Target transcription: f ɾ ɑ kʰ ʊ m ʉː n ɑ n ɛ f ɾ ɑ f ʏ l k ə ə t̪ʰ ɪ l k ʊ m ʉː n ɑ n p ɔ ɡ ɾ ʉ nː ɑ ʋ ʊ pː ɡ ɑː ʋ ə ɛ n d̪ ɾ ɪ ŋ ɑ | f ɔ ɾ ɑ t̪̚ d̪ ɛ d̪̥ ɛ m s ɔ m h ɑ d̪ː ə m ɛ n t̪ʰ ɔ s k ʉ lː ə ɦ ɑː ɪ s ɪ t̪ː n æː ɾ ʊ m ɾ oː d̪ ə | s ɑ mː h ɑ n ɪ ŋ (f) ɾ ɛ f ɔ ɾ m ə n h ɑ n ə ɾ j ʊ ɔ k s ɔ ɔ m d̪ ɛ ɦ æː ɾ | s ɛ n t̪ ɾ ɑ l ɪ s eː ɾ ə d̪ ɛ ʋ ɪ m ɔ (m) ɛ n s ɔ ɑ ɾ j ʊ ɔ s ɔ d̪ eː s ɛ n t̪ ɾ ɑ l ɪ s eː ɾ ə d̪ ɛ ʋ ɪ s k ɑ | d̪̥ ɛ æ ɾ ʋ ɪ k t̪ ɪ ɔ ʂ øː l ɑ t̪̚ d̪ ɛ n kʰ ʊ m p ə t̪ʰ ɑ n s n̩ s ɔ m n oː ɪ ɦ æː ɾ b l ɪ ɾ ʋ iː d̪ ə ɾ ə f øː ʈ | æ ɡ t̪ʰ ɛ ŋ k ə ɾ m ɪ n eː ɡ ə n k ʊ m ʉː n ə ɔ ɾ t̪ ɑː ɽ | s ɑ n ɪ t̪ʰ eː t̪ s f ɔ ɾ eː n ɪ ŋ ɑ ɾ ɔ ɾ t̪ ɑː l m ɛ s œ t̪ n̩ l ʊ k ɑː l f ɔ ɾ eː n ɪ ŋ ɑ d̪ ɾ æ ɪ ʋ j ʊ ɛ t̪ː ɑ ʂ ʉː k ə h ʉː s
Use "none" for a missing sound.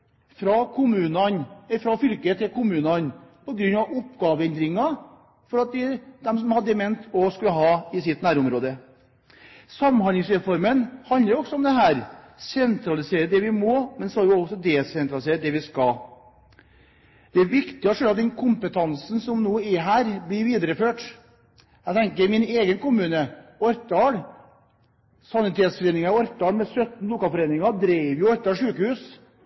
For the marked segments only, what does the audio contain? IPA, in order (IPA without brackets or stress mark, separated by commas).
s, m